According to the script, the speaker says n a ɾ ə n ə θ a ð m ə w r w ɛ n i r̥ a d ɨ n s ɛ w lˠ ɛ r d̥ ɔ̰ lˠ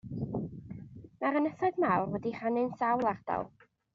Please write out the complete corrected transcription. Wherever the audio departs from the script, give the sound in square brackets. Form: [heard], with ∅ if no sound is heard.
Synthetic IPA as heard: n a ɾ ə n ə θ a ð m [a] w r w ɛ [d] i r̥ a [n] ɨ n s [a] w lˠ [a] r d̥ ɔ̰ lˠ